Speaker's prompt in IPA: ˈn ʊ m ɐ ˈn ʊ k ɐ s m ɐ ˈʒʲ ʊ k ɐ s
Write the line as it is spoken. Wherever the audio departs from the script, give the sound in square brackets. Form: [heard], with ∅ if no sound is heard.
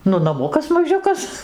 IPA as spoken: ˈn ʊ [n] ɐ [ˈm] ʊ k ɐ s m ɐ ˈʒʲ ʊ k ɐ s